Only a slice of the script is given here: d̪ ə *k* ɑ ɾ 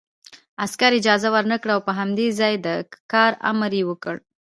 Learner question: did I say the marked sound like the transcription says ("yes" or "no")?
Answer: yes